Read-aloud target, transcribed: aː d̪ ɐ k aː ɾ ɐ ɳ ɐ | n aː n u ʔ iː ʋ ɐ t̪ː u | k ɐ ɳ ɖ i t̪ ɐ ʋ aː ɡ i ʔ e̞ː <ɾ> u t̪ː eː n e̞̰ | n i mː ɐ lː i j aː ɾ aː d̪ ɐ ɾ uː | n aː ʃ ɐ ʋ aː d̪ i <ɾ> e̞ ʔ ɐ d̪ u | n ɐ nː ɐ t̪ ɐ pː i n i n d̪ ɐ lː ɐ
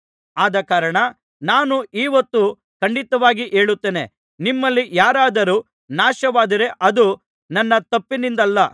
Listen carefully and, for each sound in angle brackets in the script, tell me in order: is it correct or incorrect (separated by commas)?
incorrect, correct